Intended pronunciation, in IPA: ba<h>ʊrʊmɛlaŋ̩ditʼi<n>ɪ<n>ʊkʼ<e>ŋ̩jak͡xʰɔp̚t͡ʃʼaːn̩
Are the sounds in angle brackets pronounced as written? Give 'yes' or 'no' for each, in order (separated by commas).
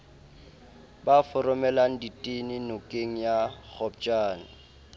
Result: no, yes, yes, yes